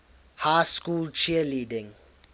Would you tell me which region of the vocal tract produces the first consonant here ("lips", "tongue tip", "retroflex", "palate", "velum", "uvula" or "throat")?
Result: throat